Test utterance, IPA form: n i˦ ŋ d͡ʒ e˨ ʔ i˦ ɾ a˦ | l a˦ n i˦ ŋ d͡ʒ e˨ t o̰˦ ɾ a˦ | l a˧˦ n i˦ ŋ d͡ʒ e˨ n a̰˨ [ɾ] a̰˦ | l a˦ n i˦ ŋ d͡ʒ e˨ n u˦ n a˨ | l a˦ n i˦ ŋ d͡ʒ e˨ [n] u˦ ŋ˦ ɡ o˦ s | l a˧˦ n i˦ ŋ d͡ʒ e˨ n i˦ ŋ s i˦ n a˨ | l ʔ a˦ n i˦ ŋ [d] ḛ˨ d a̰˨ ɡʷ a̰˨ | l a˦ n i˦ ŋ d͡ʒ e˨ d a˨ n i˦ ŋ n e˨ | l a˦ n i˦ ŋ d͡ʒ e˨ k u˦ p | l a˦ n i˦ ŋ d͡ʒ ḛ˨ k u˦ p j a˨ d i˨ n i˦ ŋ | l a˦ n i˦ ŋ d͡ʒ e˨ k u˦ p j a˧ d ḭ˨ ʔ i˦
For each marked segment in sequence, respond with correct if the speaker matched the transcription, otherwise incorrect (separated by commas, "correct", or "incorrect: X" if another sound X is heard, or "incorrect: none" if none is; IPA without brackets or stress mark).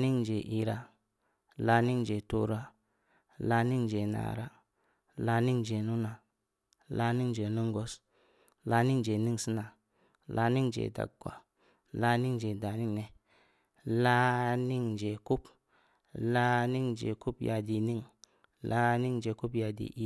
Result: correct, correct, incorrect: d͡ʒ